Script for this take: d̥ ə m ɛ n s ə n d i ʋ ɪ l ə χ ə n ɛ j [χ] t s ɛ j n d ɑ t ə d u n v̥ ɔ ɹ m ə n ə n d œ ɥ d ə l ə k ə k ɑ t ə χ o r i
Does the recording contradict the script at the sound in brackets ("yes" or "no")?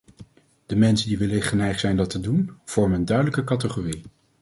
no